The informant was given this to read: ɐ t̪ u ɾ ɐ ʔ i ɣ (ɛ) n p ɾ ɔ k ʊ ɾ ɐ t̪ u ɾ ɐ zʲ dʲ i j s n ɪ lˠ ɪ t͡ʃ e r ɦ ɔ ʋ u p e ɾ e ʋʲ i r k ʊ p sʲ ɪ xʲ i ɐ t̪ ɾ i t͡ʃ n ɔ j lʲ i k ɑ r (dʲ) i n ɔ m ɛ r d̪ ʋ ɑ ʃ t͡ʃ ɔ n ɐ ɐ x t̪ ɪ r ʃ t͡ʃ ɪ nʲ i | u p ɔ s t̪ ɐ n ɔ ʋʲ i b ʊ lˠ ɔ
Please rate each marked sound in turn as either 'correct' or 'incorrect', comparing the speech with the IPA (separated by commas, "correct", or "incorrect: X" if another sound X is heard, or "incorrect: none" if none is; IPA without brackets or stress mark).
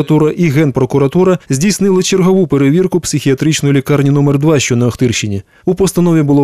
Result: correct, incorrect: nʲ